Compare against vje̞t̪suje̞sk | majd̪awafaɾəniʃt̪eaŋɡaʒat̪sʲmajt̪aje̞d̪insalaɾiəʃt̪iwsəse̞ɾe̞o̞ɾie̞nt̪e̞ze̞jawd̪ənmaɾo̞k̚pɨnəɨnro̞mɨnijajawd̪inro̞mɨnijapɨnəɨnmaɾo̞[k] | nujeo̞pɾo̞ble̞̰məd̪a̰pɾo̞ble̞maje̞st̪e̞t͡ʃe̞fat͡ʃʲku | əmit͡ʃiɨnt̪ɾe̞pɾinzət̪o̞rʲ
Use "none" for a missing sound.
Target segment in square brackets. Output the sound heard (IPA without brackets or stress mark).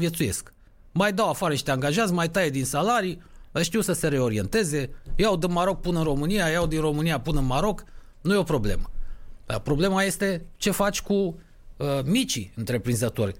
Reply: k